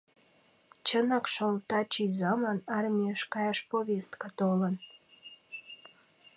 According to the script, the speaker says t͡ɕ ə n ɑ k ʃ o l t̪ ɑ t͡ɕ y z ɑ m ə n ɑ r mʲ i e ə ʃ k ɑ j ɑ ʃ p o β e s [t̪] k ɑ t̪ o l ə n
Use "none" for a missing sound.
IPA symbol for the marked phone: t̪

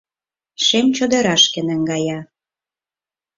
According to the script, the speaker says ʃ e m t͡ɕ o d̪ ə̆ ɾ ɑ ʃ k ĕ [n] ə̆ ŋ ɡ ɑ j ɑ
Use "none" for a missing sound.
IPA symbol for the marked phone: n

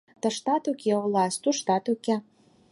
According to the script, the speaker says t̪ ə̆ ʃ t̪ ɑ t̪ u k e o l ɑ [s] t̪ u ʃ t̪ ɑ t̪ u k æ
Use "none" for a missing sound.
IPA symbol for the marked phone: s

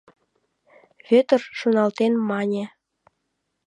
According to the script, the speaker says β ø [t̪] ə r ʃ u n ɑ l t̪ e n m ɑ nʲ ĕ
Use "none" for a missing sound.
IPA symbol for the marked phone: t̪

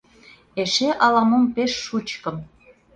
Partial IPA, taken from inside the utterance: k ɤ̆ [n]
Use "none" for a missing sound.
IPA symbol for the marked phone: m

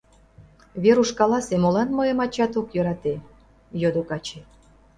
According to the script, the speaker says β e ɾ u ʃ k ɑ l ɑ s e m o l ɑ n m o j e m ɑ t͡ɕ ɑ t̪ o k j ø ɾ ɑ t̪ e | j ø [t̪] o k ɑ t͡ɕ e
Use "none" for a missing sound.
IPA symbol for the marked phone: d̪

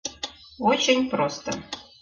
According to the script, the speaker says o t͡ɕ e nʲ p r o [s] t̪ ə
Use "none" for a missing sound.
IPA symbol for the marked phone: s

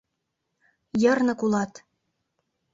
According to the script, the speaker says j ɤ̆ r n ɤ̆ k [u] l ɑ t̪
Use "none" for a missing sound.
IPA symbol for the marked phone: u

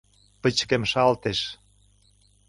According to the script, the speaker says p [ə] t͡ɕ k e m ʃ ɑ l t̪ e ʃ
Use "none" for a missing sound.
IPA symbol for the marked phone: ə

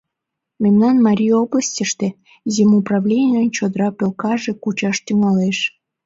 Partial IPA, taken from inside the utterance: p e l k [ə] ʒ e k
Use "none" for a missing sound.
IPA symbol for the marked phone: ɑ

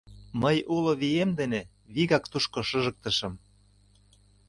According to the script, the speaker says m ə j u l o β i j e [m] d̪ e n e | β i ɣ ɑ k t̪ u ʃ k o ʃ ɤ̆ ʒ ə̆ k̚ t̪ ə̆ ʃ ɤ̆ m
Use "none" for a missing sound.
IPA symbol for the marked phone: m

